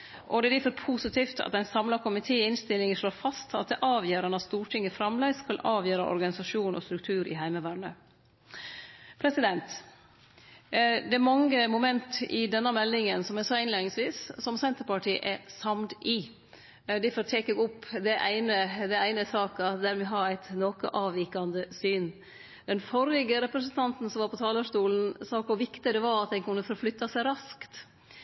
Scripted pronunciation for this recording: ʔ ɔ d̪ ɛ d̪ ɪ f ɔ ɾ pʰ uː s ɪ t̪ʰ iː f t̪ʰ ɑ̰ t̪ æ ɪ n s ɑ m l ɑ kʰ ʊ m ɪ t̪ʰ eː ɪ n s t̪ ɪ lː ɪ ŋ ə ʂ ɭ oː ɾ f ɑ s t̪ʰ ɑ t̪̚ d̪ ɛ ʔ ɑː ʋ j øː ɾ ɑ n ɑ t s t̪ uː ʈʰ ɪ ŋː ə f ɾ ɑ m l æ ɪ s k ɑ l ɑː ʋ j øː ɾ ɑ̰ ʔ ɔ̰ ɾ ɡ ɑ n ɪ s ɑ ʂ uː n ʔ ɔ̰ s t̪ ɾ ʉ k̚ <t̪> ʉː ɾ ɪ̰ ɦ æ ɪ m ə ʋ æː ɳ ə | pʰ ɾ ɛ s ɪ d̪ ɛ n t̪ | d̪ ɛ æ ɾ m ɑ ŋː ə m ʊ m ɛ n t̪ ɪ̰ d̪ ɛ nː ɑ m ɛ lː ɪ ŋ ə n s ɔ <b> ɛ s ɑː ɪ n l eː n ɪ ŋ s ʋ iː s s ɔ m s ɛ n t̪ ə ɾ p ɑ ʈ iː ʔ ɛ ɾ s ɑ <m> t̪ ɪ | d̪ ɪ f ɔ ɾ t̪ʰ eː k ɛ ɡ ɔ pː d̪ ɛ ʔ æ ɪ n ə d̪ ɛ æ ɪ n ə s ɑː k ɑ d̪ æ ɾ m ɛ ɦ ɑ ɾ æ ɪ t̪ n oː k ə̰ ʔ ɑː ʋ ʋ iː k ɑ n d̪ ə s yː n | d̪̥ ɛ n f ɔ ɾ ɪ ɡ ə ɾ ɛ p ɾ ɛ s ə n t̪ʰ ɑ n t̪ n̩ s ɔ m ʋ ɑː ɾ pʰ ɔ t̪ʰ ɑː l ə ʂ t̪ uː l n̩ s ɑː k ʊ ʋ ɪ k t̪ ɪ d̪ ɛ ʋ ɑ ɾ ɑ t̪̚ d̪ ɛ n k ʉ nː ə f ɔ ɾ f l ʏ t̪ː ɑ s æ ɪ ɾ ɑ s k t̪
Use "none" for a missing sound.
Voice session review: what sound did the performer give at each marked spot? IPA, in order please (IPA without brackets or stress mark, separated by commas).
t̪ʰ, m, m